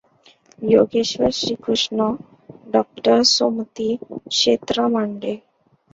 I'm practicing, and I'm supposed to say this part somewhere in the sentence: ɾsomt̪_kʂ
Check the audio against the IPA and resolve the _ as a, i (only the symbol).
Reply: i